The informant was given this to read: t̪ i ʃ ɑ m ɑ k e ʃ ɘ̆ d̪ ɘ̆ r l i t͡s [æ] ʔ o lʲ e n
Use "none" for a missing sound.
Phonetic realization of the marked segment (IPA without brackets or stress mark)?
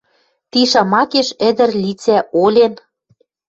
æ